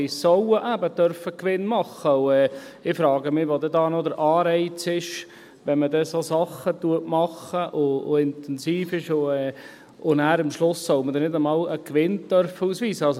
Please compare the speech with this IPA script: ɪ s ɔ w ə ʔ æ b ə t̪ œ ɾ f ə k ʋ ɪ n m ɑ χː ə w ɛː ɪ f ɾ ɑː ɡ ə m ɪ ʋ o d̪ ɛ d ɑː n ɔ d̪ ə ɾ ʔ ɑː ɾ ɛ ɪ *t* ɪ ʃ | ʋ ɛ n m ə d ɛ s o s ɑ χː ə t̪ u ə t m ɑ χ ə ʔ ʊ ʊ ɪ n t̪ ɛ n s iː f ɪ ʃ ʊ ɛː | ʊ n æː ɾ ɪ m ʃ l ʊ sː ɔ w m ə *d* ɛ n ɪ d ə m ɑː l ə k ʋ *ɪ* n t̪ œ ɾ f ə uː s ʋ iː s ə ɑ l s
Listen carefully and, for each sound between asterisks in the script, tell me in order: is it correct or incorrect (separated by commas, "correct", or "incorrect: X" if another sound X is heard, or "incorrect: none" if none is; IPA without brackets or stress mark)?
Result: incorrect: t͡s, correct, correct